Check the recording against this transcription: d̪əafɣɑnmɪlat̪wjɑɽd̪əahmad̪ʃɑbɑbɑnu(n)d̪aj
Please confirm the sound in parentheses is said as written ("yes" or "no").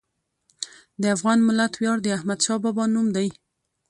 no